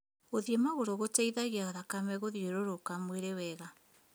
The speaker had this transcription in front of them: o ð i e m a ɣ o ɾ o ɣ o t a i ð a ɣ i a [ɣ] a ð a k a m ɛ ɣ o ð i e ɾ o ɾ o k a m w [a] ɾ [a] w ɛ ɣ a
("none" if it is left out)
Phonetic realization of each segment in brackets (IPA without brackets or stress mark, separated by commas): ɣ, e, e